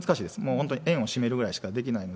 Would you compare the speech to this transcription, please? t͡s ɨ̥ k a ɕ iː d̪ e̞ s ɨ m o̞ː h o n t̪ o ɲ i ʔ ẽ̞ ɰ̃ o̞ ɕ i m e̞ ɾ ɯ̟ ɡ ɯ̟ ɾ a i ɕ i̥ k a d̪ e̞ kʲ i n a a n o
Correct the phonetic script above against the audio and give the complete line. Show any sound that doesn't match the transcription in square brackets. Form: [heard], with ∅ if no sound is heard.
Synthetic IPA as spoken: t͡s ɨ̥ k a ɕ iː d̪ e̞ s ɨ m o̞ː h o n t̪ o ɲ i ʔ ẽ̞ ɰ̃ o̞ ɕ i m e̞ ɾ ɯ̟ ɡ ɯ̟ ɾ a i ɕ i̥ k a d̪ e̞ kʲ i n a [i] n o